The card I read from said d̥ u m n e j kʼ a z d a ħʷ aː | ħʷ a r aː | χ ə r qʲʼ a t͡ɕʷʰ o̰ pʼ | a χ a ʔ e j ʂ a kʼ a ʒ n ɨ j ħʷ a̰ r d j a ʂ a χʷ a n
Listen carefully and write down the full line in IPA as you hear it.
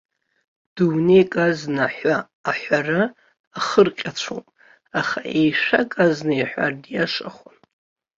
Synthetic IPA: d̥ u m n e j kʼ a z n a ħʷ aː | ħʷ a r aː | χ ə r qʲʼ a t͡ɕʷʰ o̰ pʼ | a χ a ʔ e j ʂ a kʼ a z n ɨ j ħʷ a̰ r d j a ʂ a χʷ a n